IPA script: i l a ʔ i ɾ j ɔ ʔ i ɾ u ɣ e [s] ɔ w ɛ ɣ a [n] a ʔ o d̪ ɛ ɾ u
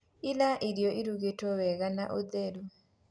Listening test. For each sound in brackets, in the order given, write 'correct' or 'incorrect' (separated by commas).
incorrect, correct